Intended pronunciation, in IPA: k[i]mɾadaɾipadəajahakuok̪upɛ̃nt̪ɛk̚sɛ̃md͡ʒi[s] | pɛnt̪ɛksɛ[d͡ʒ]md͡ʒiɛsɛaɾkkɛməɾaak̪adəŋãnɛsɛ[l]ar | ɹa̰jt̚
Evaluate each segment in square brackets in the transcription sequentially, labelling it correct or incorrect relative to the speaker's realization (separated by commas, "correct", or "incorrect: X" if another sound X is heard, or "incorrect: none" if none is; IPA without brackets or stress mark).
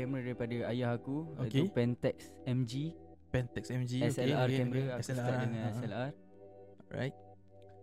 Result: incorrect: ɛ, incorrect: none, incorrect: none, correct